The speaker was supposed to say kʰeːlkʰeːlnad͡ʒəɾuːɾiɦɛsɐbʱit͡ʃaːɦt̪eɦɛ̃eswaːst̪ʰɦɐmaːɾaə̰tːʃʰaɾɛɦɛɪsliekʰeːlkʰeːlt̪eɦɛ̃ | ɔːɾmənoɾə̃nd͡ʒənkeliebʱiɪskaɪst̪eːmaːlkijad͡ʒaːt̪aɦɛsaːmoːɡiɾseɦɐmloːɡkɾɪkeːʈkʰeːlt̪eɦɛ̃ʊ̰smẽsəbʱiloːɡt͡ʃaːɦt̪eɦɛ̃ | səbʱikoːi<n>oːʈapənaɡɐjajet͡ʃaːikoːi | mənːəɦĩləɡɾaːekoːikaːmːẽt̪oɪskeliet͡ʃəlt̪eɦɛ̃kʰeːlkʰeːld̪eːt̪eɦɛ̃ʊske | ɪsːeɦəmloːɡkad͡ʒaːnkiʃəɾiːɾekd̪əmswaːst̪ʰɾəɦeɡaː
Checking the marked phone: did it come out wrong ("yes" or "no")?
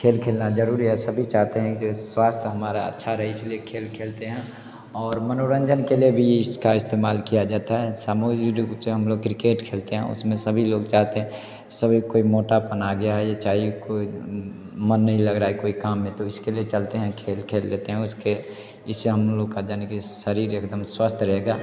yes